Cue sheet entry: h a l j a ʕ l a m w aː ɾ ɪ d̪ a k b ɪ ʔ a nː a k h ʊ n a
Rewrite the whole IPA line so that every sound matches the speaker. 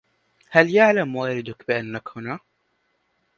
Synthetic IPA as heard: h a l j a ʕ l a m w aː ɾ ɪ d̪ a k b ɪ ʔ a nː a k h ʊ n a